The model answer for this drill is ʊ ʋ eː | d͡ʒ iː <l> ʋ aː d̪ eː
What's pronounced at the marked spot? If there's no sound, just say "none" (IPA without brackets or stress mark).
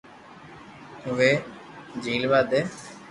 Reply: l